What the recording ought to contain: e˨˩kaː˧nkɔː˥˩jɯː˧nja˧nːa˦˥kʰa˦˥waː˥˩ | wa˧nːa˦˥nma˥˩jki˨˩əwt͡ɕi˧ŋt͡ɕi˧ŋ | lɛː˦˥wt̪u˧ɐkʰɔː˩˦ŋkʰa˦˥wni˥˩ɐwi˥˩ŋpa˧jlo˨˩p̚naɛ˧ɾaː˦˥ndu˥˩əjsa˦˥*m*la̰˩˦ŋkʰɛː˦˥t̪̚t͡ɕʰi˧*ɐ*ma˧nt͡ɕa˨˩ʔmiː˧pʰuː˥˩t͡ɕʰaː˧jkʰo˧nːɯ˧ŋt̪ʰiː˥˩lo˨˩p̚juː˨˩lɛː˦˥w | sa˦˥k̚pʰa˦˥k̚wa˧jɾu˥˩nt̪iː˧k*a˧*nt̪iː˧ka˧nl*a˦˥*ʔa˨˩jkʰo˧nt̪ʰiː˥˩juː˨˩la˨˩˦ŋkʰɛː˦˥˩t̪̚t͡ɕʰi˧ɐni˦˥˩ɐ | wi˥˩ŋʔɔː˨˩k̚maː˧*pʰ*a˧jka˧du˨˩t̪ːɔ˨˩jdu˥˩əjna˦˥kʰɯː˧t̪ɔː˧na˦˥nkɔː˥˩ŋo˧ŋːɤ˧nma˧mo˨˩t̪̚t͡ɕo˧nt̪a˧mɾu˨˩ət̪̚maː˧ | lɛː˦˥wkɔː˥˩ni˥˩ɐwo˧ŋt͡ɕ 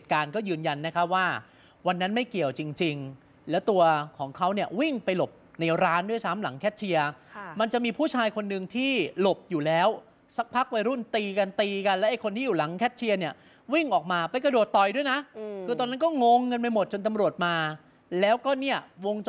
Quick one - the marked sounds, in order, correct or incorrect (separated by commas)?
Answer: correct, correct, correct, incorrect, incorrect